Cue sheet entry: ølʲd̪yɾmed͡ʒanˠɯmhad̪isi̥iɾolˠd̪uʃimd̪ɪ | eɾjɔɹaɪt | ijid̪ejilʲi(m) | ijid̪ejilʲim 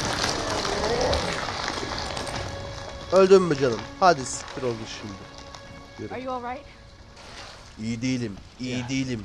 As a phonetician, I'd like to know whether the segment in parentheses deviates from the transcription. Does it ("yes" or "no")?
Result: no